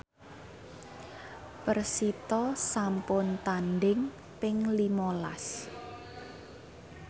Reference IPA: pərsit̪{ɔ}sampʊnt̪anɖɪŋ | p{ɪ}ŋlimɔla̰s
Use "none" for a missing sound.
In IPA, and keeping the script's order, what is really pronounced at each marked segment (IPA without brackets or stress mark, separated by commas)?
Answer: ɔ, ɪ